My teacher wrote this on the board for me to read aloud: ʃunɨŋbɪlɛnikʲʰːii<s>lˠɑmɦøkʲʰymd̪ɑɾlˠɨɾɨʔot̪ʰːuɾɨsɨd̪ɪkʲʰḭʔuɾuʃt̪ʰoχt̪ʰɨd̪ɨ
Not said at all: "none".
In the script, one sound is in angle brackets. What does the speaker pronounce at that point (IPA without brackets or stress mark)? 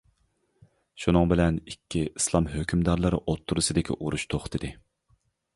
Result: s